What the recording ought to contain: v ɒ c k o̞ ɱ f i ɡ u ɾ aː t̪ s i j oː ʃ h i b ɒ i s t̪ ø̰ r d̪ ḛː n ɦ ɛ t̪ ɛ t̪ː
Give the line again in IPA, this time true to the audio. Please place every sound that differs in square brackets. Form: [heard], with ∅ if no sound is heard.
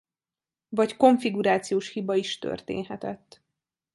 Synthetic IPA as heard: v ɒ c k o̞ ɱ f i ɡ u ɾ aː t̪ s i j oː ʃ h i b ɒ i [ʃ] t̪ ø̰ r [t̪] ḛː n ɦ ɛ t̪ ɛ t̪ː